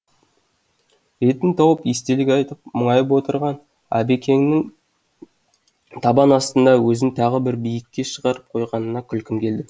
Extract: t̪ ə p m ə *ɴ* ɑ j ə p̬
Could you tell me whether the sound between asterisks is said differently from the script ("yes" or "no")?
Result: no